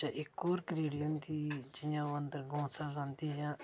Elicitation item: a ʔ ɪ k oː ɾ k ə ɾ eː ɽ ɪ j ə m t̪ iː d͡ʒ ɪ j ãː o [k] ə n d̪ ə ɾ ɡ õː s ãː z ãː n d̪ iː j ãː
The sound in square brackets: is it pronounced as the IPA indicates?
no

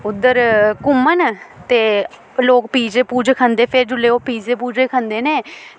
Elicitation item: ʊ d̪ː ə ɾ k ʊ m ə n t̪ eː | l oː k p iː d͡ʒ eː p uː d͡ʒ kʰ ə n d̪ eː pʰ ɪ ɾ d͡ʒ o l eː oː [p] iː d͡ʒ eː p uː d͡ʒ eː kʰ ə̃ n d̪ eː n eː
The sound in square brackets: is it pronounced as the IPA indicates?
yes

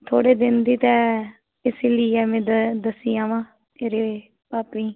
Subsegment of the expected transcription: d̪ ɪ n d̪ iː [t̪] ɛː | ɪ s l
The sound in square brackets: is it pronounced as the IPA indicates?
yes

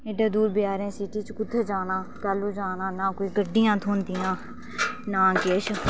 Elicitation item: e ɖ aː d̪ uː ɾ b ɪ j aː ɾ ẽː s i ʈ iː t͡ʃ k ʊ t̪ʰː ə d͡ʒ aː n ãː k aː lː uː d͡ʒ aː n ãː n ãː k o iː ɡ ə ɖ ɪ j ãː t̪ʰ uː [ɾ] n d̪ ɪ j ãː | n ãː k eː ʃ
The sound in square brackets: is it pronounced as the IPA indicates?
no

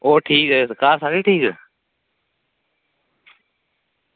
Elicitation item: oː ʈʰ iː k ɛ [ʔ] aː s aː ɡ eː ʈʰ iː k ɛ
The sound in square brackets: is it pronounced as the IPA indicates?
no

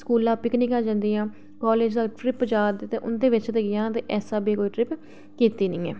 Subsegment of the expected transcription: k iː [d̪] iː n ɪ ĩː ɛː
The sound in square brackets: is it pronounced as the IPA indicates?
no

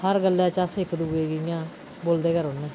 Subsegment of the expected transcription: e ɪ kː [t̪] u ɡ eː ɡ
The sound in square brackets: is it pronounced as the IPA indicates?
no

